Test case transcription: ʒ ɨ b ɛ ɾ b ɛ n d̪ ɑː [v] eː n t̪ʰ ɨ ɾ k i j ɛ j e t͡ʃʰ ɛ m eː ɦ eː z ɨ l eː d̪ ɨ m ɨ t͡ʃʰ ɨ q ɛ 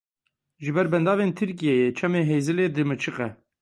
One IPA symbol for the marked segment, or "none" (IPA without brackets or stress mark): v